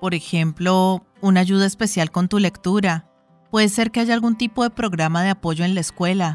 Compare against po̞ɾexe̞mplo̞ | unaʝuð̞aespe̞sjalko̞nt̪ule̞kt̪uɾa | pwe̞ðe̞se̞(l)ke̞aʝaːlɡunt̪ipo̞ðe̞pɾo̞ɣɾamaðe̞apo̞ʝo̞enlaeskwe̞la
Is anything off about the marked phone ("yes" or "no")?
yes